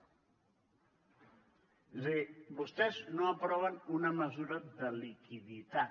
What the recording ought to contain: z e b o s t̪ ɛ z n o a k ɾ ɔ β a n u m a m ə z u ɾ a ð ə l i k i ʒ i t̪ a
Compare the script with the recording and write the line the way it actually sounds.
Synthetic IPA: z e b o s t̪ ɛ z n o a p ɾ ɔ β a n u n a m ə z u ɾ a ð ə l i k i ð i t̪ a

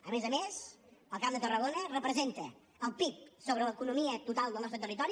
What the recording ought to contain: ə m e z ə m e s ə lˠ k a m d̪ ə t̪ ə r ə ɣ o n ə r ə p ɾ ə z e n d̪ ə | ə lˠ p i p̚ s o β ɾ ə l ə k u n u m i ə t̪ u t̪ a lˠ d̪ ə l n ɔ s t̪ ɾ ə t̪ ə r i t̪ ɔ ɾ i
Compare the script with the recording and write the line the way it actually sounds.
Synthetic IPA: ə m e z ə m e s ə lˠ k a m d̪ ə t̪ ə r ə ɣ o n ə r ə p ɾ ə z e n t̪ ə | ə lˠ p i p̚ s o β ɾ ə l ə k u n u m i ə t̪ u t̪ a lˠ d̪ ə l n ɔ s t̪ ɾ ə t̪ ə r i t̪ ɔ ɾ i

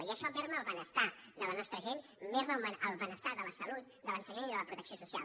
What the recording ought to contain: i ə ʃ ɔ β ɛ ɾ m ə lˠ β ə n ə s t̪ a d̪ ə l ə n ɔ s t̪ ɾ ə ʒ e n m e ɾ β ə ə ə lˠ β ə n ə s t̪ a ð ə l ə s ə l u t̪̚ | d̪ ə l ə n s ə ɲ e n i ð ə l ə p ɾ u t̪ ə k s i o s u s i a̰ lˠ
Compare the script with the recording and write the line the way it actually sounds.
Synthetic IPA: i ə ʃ ɔ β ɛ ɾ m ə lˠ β ə n ə s t̪ a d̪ ə l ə n ɔ s t̪ ɾ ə ʒ e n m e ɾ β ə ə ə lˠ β ə n ə s t̪ a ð ə l ə s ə l u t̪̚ | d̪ ə l ə n s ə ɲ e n i ð ə l ə p ɾ u t̪ ə k s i o s u s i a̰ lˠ

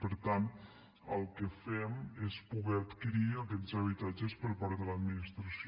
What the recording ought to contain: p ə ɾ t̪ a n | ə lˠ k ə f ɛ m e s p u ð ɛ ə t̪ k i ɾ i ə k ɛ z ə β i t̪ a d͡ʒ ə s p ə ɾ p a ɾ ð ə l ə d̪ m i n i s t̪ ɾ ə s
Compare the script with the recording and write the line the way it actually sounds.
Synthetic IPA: p ə ɾ t̪ a n | ə lˠ k ə f ɛ m e s p u ɣ ɛ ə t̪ k i ɾ i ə k ɛ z ə β i t̪ a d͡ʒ ə s p ə ɾ p a ɾ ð ə l ə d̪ m i n i s t̪ ɾ ə s

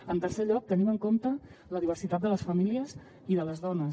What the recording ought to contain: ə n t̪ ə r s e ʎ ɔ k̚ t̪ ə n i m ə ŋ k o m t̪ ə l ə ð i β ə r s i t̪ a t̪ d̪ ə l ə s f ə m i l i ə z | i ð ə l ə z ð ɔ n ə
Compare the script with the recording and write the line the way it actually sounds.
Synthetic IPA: ə n t̪ ə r s e ʎ ɔ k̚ t̪ ə n i m ə ŋ k o m t̪ ə l ə ð i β ə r s i t̪ a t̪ d̪ ə l ə s f ə m i l i ə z | i ð ə l ə z ð ɔ n ə

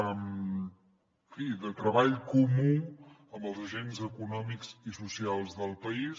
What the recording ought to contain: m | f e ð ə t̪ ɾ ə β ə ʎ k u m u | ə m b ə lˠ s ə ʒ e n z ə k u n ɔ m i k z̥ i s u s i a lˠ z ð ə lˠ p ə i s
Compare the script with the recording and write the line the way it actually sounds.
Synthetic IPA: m | f i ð ə t̪ ɾ ə β a ʎ k u m u | ə m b ə lˠ z ə ʒ e n z ə k u n ɔ m i k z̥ i s u s i a lˠ z ð ə lˠ p ə i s

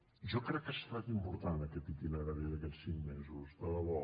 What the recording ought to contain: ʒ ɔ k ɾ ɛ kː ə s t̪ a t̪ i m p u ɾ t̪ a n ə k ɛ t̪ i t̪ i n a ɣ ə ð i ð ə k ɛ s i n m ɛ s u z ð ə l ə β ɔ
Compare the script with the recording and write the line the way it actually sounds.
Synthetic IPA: ʒ ɔ k ɾ ɛ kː ə s t̪ a t̪ i m p u ɾ t̪ a n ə k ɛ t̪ i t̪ i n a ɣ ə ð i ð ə k ɛ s i ŋ m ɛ z u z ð ə l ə β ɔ

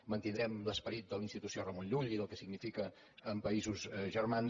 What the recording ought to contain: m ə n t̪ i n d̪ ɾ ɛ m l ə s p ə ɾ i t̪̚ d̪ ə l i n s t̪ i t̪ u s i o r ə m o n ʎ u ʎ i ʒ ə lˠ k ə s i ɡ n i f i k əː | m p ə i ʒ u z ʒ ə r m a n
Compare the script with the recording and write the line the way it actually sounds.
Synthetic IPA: m ə n t̪ i n d̪ ɾ ɛ m l ə s p ə ɾ i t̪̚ d̪ ə l i n s t̪ i t̪ u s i o r ə m o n ʎ u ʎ i ð ə lˠ k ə s i ɡ n i f i k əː | m p ə i z u z ʒ ə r m a n

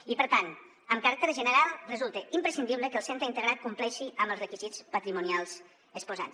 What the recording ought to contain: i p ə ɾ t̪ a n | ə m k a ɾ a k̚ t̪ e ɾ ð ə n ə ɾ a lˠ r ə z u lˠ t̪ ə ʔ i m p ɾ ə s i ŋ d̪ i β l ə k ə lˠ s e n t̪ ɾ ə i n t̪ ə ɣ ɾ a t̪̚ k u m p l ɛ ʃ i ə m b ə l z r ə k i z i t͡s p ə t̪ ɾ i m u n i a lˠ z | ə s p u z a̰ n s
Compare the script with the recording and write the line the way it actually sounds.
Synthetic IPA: i p ə ɾ t̪ a n | ə m k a ɾ a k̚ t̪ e ɾ ʒ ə n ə ɾ a lˠ r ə z u lˠ t̪ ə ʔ i m p ɾ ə s i n d̪ i β l ə k ə lˠ s e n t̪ ɾ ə i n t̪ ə ɣ ɾ a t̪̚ k u m p l ɛ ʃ i ə m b ə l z r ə k i z i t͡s p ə t̪ ɾ i m u n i a lˠ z | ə s p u z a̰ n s

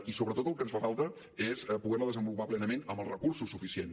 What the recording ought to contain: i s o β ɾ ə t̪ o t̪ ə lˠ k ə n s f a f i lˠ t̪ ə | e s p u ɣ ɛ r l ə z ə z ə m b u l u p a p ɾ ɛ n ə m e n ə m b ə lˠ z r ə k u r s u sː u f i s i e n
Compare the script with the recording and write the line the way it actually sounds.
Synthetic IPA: i s o β ɾ ə t̪ o t̪ ə lˠ k ə n s f a f a lˠ t̪ ə | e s p u ɣ ɛ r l ə ð ə z ə m b u l u p a p l ɛ n ə m e n ə m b ə lˠ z r ə k u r s u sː u f i s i e n

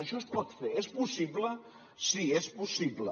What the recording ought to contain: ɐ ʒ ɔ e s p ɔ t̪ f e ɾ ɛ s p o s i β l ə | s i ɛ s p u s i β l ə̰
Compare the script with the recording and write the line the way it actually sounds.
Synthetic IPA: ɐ ʃ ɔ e s p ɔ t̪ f e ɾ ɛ s p u s i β l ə | s i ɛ s p u s i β l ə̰

